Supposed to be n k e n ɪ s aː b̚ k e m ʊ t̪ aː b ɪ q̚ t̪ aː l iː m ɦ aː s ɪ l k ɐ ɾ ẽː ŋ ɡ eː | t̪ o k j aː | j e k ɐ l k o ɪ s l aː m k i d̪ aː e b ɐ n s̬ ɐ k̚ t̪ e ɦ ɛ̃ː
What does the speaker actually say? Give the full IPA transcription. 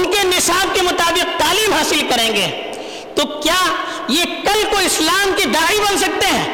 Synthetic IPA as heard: n k e n ɪ s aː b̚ k e m ʊ t̪ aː b ɪ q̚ t̪ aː l iː m ɦ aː s ɪ l k ɐ ɾ ẽː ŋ ɡ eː | t̪ o k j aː | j e k ɐ l k o ɪ s l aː m k i d̪ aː i b ɐ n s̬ ɐ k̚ t̪ e ɦ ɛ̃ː